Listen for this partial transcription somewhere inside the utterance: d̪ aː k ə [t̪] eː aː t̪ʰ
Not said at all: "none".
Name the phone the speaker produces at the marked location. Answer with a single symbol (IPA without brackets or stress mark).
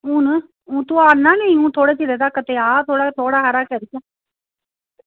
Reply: t̪